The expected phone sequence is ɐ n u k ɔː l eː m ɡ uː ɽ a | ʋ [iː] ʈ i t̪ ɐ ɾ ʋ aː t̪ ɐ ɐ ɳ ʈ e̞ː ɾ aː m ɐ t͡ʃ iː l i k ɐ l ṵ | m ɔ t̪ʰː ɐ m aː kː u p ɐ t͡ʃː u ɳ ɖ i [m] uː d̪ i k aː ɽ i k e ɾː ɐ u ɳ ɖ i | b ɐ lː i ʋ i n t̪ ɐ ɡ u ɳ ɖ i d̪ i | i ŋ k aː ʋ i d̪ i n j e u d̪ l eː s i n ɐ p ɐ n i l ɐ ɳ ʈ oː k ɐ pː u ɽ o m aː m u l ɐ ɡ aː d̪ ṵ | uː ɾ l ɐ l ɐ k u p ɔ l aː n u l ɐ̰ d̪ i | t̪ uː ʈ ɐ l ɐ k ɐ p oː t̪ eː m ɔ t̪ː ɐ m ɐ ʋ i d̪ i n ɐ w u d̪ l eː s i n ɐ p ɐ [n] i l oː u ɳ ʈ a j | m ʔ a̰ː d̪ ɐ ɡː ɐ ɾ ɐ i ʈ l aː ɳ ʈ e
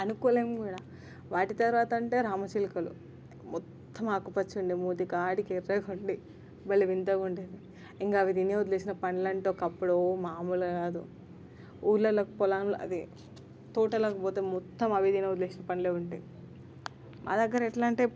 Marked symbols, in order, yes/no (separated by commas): no, yes, yes